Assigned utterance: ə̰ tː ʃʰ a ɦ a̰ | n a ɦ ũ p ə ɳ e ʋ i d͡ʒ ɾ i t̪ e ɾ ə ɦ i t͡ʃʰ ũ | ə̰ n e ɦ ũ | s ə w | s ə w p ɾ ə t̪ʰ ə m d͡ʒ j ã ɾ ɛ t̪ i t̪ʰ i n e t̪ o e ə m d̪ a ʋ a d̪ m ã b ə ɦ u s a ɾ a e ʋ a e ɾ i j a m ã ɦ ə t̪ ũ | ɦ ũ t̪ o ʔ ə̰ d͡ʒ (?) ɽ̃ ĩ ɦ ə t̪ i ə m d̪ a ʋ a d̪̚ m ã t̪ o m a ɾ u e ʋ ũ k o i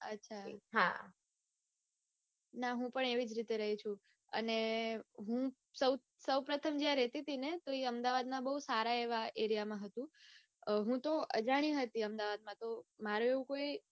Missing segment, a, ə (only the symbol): a